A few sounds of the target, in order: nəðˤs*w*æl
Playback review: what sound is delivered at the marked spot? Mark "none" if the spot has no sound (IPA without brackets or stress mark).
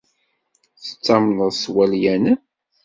w